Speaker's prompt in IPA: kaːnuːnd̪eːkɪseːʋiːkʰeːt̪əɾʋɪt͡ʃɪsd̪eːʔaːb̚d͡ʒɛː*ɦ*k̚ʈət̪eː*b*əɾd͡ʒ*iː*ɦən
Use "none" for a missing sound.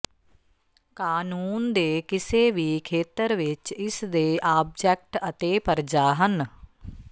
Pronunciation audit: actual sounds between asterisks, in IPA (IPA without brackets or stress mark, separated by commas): none, p, aː